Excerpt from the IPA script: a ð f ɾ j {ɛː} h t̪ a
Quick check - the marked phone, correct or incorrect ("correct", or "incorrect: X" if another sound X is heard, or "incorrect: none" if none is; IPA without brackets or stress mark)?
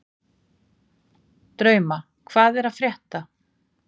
incorrect: ɛ